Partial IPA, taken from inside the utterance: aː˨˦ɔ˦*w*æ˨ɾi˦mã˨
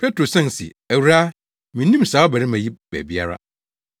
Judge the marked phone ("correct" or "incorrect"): incorrect